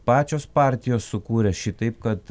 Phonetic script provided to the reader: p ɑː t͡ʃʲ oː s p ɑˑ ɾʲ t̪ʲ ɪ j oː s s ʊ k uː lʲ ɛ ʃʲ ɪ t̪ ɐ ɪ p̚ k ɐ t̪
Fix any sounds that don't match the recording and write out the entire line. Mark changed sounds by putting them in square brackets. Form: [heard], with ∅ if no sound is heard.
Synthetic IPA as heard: p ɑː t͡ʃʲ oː s p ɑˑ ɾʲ t̪ʲ ɪ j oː s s ʊ k uː [ɾʲ] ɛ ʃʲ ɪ t̪ ɐ ɪ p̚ k ɐ t̪

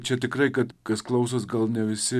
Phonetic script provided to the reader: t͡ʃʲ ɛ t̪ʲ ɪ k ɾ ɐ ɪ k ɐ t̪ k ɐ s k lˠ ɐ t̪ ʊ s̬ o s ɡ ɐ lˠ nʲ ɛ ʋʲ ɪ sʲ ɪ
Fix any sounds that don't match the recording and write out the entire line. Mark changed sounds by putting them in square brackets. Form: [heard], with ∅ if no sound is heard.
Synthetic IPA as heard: t͡ʃʲ ɛ t̪ʲ ɪ k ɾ ɐ ɪ k ɐ t̪ k ɐ s k lˠ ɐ [∅] ʊ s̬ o s ɡ ɐ lˠ nʲ ɛ ʋʲ ɪ sʲ ɪ

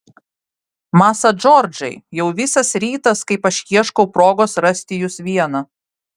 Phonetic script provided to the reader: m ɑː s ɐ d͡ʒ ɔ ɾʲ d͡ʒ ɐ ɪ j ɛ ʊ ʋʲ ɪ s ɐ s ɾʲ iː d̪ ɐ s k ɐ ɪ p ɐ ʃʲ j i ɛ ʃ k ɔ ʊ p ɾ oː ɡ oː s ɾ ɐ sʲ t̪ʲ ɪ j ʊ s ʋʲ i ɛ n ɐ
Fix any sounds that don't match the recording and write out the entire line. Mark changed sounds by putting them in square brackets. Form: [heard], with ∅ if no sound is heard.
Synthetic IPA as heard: m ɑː s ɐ d͡ʒ ɔ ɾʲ d͡ʒ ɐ ɪ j ɛ ʊ ʋʲ ɪ s ɐ s ɾʲ iː [t̪] ɐ s k ɐ ɪ p ɐ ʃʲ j i ɛ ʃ k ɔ ʊ p ɾ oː ɡ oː s ɾ ɐ sʲ t̪ʲ ɪ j ʊ s ʋʲ i ɛ n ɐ

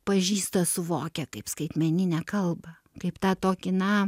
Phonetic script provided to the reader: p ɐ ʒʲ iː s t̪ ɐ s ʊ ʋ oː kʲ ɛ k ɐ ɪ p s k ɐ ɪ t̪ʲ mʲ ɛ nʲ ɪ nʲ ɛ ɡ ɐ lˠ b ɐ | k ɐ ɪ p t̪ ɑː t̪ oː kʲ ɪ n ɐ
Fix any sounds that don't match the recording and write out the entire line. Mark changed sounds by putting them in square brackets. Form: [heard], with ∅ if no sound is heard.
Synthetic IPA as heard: p ɐ ʒʲ iː s t̪ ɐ s ʊ ʋ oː kʲ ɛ k ɐ ɪ p s k ɐ ɪ t̪ʲ mʲ ɛ nʲ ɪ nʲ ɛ [k] ɐ lˠ b ɐ | k ɐ ɪ p t̪ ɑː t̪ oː kʲ ɪ n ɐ

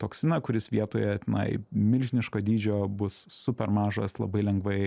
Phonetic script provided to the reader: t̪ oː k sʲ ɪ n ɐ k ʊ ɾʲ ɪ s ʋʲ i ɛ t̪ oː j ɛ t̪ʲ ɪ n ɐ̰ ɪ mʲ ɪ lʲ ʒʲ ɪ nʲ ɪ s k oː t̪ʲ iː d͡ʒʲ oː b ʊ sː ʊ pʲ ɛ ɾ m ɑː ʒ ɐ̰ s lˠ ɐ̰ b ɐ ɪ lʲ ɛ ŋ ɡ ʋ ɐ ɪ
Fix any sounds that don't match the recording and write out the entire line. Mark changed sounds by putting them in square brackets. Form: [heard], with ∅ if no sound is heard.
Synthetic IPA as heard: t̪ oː k sʲ ɪ n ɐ k ʊ ɾʲ ɪ s ʋʲ i ɛ t̪ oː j ɛ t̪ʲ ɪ n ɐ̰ ɪ mʲ ɪ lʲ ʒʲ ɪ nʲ ɪ [ʃ] k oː [d̪ʲ] iː d͡ʒʲ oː b ʊ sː ʊ pʲ ɛ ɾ m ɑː ʒ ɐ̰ s lˠ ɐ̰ b ɐ ɪ lʲ ɛ ŋ ɡ ʋ ɐ ɪ

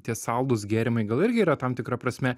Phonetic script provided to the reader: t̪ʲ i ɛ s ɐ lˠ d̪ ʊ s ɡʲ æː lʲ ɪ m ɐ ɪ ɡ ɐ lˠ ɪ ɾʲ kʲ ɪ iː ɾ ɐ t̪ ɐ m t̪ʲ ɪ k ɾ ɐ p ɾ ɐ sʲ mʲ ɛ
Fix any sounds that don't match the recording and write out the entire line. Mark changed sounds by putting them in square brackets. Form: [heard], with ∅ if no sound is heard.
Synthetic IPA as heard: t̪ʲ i ɛ s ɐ lˠ d̪ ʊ s ɡʲ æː [ɾʲ] ɪ m ɐ ɪ ɡ ɐ lˠ ɪ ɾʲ [ɡʲ] ɪ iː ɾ ɐ t̪ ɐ m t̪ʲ ɪ k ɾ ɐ p ɾ ɐ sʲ mʲ ɛ

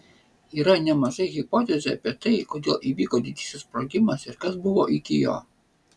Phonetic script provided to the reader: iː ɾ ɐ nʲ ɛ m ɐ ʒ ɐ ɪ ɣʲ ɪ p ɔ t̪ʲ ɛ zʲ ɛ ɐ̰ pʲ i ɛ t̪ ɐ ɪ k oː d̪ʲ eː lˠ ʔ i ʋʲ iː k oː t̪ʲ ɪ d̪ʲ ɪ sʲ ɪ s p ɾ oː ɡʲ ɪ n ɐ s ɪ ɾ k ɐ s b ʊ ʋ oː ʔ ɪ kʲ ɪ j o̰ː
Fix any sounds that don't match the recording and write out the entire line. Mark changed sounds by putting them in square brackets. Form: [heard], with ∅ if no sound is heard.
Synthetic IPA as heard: iː ɾ ɐ nʲ ɛ m ɐ ʒ ɐ ɪ ɣʲ ɪ p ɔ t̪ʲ ɛ zʲ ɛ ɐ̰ pʲ i ɛ t̪ ɐ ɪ k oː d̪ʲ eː lˠ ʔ i ʋʲ iː k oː [d̪ʲ] ɪ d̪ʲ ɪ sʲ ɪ s p ɾ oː ɡʲ ɪ [m] ɐ s ɪ ɾ k ɐ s b ʊ ʋ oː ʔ ɪ kʲ ɪ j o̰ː

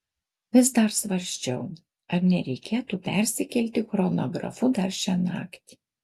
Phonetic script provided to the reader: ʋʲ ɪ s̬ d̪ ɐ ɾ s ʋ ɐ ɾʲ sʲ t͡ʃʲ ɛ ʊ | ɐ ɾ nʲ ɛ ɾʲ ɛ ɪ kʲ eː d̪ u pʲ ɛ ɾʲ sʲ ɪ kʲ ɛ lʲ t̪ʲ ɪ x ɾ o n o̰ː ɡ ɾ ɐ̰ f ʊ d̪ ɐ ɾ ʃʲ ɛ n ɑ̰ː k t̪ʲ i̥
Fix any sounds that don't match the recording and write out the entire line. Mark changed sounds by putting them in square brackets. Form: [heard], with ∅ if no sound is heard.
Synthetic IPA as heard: ʋʲ ɪ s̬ d̪ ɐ ɾ s ʋ ɐ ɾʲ sʲ t͡ʃʲ ɛ ʊ | ɐ ɾ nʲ ɛ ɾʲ ɛ ɪ kʲ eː [t̪] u pʲ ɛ ɾʲ sʲ ɪ kʲ ɛ lʲ t̪ʲ ɪ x ɾ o n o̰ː ɡ ɾ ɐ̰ f ʊ d̪ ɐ ɾ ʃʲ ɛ n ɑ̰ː k t̪ʲ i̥

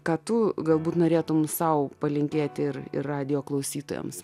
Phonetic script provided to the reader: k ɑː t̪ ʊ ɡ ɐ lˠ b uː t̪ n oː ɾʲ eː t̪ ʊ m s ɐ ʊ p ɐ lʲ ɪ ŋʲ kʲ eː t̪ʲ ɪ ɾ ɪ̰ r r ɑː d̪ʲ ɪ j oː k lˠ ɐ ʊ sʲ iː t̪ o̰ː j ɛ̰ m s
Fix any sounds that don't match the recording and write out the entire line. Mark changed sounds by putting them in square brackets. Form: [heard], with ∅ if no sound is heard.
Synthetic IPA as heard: k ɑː t̪ ʊ ɡ ɐ lˠ b uː t̪ n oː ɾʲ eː t̪ ʊ m s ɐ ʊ p ɐ lʲ ɪ ŋʲ kʲ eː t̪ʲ ɪ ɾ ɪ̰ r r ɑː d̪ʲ ɪ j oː k lˠ ɐ ʊ sʲ iː t̪ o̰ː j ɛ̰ m s

